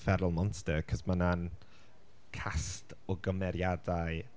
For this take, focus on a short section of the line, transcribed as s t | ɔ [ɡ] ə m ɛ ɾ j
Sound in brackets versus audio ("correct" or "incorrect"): correct